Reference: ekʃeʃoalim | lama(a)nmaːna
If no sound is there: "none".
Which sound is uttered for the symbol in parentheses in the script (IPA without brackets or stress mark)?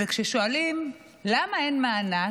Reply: e